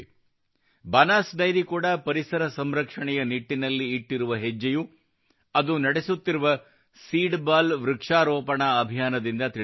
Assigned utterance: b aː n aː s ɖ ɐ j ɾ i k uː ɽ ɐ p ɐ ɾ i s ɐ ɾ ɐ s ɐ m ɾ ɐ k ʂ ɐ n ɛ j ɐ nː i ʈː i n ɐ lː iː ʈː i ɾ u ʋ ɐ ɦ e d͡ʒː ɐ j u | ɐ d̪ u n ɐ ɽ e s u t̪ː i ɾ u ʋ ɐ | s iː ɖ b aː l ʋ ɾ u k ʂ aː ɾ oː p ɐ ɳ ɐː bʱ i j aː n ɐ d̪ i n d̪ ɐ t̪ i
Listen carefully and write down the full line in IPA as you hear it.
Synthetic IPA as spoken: b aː n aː s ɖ ɐ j ɾ i k uː ɽ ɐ p ɐ ɾ i s ɐ ɾ ɐ s ɐ m ɾ ɐ k ʂ ɐ ɳ ɛ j ɐ n i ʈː i n ɐ lː iː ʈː i ɾ u ʋ ɐ ɦ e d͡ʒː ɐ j u | ɐ d̪ u n ɐ ɽ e s u t̪ː i ɾ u ʋ ɐ | s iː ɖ b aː l ʋ ɾ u k ʂ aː ɾ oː p ɐ ɳ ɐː bʱ i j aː n ɐ d̪ i n d̪ ɐ t̪ i